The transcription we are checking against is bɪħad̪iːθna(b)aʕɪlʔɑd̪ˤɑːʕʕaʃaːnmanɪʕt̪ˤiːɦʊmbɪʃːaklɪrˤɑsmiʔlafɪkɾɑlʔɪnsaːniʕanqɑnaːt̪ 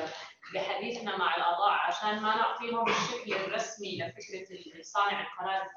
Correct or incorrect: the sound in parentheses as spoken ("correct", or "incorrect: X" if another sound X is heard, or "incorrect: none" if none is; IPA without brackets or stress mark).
incorrect: m